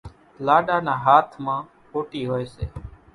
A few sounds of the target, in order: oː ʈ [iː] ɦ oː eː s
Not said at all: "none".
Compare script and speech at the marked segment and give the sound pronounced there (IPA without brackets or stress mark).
iː